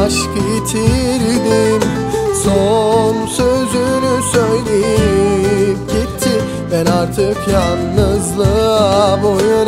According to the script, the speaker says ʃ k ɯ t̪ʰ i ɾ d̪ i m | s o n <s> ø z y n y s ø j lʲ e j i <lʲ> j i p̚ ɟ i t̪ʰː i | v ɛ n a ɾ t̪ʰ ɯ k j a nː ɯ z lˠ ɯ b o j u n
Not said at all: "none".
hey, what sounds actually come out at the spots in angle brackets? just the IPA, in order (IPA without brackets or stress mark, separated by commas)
s, none